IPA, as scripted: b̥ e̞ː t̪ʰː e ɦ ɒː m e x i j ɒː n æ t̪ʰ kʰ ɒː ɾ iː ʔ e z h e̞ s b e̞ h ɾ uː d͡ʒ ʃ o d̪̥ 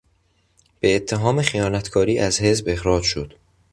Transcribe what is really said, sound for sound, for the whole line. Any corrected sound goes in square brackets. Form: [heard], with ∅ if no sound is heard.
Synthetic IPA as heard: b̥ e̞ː t̪ʰː e ɦ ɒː m e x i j ɒː n æ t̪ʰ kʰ ɒː ɾ iː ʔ [æ] z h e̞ [z] b e̞ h ɾ [ɒː] d͡ʒ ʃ o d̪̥